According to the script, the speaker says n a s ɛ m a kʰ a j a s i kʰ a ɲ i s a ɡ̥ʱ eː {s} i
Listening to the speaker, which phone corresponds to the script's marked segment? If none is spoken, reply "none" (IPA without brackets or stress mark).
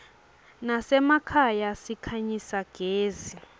z